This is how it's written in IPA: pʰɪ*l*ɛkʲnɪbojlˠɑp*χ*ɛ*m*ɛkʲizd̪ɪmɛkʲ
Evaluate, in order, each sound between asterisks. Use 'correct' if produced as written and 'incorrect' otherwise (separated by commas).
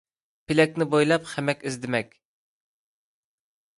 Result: correct, correct, correct